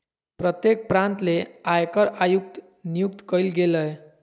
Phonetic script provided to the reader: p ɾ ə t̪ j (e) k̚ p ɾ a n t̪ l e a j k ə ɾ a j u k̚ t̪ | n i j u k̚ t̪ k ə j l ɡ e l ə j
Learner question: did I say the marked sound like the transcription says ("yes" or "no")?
yes